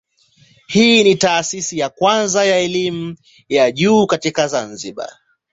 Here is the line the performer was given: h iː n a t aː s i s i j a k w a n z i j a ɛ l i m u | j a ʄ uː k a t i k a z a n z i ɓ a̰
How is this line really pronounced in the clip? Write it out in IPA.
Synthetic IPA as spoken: h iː n i t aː s i s i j a k w a n z a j a ɛ l i m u | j a ʄ uː k a t i k a z a n z i ɓ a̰